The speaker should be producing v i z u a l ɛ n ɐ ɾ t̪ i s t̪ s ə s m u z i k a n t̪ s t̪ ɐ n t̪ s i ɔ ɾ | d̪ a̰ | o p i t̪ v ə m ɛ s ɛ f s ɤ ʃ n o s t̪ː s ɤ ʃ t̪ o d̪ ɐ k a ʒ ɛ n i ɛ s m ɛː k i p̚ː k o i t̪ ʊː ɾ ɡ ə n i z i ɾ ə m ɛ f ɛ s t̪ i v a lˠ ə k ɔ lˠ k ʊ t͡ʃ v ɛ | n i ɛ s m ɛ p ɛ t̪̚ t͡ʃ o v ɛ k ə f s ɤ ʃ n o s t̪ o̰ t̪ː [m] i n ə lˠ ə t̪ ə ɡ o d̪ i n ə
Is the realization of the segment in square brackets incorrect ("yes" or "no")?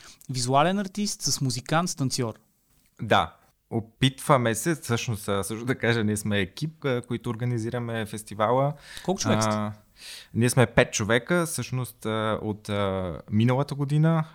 no